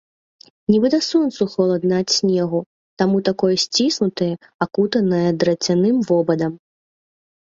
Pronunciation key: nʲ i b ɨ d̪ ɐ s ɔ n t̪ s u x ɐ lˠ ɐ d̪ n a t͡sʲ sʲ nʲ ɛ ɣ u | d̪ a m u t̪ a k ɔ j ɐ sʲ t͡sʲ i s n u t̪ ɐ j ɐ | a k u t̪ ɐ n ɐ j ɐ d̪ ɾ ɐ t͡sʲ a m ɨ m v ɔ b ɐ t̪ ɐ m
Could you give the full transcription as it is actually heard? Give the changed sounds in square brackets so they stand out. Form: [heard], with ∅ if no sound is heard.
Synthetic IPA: nʲ i b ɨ d̪ ɐ s ɔ n t̪ s u x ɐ lˠ ɐ d̪ n a t͡sʲ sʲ nʲ ɛ ɣ u | [t̪] a m u t̪ a k ɔ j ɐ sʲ t͡sʲ i s n u t̪ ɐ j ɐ | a k u t̪ ɐ n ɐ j ɐ d̪ ɾ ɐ t͡sʲ a [n] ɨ m v ɔ b ɐ [d̪] ɐ m